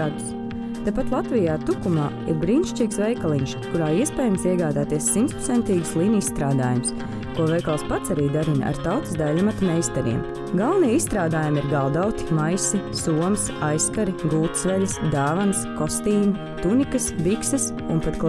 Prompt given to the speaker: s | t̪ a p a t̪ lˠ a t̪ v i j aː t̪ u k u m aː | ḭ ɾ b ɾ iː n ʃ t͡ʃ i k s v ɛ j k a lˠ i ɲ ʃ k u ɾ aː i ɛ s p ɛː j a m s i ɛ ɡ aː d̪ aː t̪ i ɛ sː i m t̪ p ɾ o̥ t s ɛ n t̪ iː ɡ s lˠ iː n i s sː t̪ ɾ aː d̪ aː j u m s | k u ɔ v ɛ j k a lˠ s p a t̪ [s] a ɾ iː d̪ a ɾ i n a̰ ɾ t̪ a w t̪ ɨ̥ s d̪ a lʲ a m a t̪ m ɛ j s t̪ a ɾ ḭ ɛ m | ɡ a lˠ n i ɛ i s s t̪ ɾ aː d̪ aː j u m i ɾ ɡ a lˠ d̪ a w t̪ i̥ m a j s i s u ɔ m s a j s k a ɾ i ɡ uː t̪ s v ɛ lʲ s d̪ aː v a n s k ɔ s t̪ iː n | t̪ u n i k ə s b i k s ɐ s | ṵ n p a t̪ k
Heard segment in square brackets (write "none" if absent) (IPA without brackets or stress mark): s